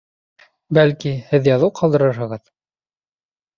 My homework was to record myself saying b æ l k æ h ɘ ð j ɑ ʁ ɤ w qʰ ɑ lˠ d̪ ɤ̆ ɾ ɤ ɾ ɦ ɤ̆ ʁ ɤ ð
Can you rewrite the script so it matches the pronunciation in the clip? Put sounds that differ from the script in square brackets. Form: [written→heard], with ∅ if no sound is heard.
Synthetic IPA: b æ l k [æ→i] h ɘ ð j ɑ [ʁ→ð] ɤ w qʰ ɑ lˠ d̪ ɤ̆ ɾ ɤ ɾ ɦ ɤ̆ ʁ ɤ ð

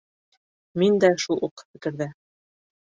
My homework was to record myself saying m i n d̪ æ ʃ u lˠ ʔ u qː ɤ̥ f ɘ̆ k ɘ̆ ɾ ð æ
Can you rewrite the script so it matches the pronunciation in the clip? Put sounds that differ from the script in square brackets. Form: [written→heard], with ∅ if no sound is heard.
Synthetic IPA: m i n d̪ æ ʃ u lˠ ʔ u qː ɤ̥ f ɘ̆ k ɘ̆ ɾ ð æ

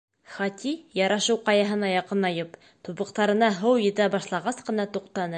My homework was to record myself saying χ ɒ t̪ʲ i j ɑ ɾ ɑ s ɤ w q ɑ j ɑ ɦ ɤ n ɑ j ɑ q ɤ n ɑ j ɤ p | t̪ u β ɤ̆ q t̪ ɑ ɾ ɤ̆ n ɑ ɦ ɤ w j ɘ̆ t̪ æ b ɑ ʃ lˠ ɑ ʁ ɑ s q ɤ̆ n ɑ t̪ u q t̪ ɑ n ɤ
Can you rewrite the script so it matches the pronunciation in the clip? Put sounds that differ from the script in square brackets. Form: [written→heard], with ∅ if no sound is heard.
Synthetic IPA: χ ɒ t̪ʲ i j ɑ ɾ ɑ [s→ʃ] ɤ w q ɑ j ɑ ɦ ɤ n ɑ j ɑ q ɤ n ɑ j ɤ p | t̪ u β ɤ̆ q t̪ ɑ ɾ ɤ̆ n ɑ ɦ ɤ w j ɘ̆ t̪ æ b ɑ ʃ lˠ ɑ ʁ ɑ s q ɤ̆ n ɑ t̪ u q t̪ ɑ n ɤ

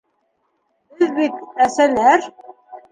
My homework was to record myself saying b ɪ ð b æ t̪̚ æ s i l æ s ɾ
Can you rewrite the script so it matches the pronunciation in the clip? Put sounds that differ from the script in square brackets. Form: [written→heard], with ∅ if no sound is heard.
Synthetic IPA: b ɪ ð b [æ→i] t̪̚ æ s [i→æ] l æ [s→∅] ɾ

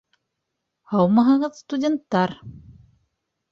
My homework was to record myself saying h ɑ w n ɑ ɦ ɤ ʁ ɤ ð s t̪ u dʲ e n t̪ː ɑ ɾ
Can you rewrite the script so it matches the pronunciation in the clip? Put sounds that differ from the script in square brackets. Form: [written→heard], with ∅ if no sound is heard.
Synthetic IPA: h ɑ w [n→m] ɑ ɦ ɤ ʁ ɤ ð s t̪ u dʲ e n t̪ː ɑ ɾ

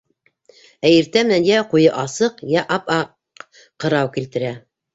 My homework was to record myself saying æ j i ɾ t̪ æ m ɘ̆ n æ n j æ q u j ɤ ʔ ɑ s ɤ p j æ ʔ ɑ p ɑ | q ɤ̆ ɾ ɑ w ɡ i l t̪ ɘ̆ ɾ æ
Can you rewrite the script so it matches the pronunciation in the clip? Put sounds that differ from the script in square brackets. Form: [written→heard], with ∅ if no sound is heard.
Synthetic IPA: æ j i ɾ t̪ æ m ɘ̆ n æ n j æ q u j ɤ ʔ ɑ s ɤ [p→q] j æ ʔ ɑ p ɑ | q ɤ̆ ɾ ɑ w [ɡ→k] i l t̪ ɘ̆ ɾ æ

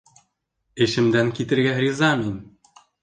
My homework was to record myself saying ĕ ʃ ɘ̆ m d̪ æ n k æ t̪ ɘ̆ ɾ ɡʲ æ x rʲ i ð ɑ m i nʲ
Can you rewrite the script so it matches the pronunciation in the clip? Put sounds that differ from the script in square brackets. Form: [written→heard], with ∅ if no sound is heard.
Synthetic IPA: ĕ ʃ ɘ̆ m d̪ æ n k [æ→i] t̪ ɘ̆ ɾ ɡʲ æ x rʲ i [ð→z] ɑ m i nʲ

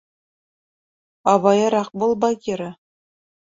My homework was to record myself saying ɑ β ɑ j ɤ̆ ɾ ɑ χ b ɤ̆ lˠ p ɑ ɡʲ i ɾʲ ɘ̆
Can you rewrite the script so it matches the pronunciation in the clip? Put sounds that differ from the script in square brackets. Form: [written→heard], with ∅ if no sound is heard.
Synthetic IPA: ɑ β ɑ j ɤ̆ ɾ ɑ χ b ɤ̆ lˠ [p→b] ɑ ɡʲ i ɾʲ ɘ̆

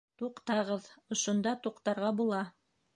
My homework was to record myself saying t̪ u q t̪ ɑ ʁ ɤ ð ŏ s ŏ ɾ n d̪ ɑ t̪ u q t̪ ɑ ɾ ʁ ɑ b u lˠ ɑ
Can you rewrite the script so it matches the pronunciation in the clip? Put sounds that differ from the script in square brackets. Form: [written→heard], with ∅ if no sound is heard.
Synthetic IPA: t̪ u q t̪ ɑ ʁ ɤ ð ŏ [s→ʃ] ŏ [ɾ→∅] n d̪ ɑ t̪ u q t̪ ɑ ɾ ʁ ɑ b u lˠ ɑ

